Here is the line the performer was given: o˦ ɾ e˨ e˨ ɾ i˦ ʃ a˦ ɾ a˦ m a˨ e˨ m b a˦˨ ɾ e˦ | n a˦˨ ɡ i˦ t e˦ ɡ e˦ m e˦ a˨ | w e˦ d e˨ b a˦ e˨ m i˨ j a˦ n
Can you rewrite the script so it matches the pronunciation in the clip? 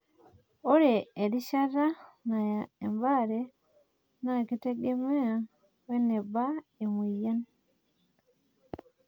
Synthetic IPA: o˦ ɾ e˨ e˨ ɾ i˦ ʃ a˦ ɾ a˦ n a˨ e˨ m b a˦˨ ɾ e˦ | n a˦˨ k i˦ t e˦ ɡ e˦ m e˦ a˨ | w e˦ n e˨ b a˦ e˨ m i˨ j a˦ n